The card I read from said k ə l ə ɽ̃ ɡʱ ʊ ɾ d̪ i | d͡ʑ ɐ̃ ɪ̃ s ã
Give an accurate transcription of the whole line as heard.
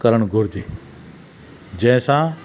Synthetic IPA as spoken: k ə ɾ ə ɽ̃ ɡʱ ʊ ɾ d̪ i | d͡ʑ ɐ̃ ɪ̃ s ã